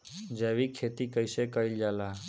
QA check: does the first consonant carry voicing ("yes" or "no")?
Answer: yes